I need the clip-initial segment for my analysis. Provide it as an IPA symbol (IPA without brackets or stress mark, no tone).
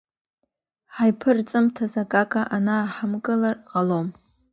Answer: ħ